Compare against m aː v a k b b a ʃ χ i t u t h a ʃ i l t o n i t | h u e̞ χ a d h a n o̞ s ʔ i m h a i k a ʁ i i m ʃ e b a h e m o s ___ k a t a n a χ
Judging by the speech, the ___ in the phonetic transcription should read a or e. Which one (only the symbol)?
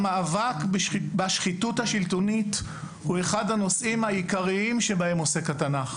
e